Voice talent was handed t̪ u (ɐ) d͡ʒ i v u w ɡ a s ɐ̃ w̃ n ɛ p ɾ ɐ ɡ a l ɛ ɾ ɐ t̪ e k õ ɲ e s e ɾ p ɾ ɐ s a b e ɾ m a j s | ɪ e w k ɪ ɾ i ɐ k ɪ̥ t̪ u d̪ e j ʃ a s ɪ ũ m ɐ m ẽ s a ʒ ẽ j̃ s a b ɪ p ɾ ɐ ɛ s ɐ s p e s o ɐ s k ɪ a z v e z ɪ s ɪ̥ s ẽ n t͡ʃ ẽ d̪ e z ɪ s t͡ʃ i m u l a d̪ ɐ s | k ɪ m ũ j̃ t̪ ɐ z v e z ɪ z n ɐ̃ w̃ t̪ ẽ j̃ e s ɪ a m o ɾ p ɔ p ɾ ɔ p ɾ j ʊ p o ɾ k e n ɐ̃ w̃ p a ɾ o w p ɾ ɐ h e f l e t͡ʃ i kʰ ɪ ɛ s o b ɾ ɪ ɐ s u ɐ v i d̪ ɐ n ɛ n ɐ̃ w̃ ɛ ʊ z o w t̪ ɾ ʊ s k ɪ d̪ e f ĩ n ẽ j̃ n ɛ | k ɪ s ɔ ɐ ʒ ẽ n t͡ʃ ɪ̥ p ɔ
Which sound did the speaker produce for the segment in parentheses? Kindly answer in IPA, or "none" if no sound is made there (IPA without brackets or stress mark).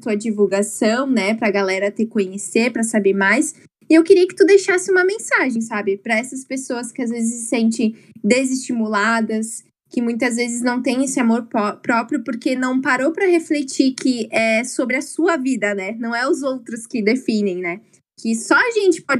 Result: ɐ